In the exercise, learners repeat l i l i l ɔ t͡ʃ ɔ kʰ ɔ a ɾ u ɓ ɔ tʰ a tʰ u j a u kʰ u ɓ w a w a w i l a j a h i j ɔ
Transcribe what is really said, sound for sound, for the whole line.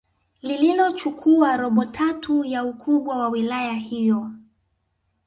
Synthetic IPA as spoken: l i l i l ɔ t͡ʃ u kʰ u a ɾ ɔ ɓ ɔ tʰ a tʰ u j a u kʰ u ɓ w a w a w i l a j a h i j ɔ